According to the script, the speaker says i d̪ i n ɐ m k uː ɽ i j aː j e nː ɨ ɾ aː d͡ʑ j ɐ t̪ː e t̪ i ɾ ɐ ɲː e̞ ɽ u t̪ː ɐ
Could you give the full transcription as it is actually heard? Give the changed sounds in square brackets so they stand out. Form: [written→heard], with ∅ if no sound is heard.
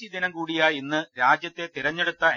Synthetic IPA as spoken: i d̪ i n ɐ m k uː ɽ i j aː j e nː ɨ ɾ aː d͡ʑ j ɐ t̪ː e t̪ i ɾ ɐ ɲː e̞ ɽ u t̪ː ɐ